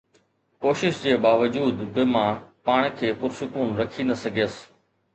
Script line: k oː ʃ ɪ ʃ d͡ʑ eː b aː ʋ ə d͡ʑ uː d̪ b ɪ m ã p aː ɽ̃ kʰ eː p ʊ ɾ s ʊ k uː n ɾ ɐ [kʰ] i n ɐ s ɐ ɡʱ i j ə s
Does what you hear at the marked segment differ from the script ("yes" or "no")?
no